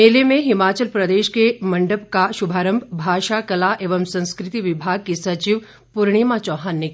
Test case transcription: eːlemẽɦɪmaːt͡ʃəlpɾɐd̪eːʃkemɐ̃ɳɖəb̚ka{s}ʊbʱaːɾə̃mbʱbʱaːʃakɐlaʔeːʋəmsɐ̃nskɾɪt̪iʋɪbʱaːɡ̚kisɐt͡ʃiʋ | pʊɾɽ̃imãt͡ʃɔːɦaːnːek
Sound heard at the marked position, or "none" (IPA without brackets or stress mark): ʃ